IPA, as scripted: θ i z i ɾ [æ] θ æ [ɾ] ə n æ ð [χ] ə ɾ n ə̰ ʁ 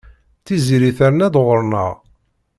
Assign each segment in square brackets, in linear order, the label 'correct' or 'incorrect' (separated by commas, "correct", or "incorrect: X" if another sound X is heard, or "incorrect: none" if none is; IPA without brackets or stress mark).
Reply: incorrect: i, correct, incorrect: ʁ